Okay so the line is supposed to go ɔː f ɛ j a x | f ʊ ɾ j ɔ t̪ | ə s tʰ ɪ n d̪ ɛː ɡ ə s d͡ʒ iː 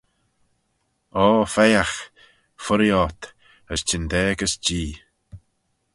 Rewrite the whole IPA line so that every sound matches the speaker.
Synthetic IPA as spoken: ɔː f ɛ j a x | f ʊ ɾ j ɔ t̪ | ə s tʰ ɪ n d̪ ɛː ɡ ə s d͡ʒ iː